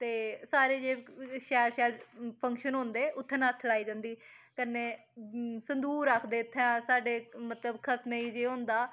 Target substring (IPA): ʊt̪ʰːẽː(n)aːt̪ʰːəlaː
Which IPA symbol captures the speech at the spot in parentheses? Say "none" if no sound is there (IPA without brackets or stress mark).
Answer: n